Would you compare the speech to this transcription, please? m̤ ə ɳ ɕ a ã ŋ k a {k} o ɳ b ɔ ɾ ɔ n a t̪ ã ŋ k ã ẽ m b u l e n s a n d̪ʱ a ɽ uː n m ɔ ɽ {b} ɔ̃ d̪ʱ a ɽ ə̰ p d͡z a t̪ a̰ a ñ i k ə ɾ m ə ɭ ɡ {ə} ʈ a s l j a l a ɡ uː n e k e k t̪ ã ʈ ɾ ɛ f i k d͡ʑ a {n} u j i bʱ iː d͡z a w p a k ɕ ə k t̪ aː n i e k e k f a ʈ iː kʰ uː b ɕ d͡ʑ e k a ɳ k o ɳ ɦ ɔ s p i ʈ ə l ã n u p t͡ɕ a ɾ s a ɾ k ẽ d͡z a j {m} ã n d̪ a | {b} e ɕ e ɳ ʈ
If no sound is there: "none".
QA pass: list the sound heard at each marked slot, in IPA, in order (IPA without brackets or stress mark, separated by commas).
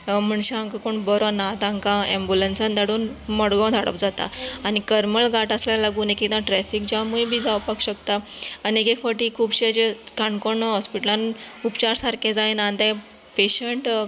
k, ɡ, a, m, n, p